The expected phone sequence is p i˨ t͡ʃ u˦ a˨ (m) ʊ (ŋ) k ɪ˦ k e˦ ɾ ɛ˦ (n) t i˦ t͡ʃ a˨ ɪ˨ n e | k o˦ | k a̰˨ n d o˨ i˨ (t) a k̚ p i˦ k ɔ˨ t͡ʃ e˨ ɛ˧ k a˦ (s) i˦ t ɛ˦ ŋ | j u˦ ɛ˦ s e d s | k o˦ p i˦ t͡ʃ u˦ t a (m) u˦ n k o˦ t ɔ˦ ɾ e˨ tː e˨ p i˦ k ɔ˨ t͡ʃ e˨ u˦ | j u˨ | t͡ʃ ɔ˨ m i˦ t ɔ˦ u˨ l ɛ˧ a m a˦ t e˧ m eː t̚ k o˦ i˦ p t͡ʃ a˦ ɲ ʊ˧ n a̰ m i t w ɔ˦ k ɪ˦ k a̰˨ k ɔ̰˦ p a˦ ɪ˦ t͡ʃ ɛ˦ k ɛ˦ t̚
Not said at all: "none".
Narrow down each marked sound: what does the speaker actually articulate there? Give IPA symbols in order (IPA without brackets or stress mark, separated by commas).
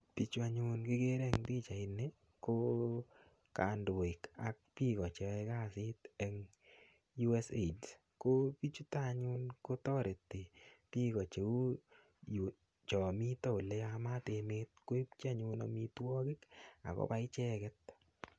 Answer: ɲ, n, ŋ, k, s, ɲ